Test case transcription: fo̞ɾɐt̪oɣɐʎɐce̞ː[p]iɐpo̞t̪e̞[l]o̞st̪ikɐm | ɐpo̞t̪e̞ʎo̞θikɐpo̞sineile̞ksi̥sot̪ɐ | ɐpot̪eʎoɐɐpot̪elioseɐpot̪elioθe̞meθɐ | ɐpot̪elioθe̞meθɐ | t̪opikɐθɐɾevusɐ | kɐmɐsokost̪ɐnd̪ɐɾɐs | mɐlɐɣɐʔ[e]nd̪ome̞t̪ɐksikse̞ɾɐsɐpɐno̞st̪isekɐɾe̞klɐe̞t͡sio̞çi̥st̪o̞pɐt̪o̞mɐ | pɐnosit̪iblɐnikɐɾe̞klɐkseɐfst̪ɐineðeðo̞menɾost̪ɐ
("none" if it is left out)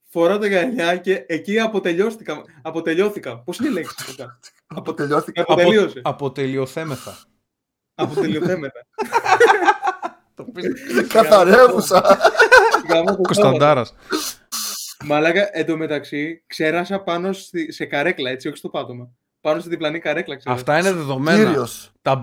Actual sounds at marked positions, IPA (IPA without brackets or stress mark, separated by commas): c, ʎ, e